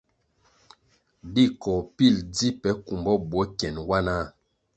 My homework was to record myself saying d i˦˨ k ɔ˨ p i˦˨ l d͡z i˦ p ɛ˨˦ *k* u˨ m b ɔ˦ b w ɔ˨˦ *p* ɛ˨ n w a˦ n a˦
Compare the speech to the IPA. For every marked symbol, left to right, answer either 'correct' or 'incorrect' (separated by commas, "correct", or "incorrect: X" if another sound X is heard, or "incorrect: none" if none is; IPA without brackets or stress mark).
correct, incorrect: k